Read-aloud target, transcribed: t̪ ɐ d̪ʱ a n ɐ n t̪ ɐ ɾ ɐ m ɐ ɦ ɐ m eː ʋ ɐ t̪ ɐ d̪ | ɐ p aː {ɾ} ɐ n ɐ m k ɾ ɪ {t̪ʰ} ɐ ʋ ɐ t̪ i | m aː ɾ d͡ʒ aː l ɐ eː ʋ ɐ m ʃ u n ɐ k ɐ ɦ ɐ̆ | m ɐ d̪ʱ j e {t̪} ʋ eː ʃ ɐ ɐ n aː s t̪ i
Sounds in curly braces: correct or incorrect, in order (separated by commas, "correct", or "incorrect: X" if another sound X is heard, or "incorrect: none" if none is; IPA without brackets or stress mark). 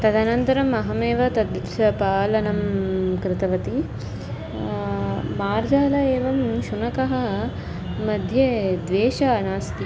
incorrect: l, incorrect: t̪, incorrect: d̪